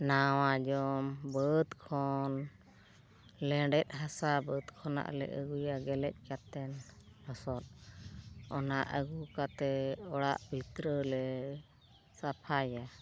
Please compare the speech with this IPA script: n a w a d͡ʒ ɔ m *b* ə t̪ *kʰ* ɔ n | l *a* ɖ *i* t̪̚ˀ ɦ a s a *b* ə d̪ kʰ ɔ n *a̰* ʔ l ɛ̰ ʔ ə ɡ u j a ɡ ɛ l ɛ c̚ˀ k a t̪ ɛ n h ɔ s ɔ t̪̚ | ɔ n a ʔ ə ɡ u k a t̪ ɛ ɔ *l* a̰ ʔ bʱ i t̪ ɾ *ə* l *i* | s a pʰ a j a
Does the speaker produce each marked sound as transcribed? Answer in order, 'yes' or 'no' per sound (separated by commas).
yes, yes, no, no, yes, yes, no, yes, no